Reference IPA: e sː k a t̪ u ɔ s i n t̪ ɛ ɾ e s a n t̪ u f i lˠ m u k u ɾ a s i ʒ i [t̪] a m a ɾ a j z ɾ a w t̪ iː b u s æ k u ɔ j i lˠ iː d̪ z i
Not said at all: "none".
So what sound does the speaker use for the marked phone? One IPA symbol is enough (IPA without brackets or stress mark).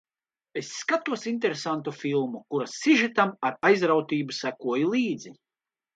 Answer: t̪